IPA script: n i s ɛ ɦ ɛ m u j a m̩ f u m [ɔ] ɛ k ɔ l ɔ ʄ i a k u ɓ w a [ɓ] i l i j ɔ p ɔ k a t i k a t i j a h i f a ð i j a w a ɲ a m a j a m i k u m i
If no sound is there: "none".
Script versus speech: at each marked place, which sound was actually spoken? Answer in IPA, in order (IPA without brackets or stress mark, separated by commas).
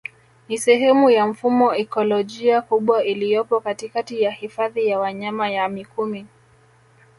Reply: ɔ, none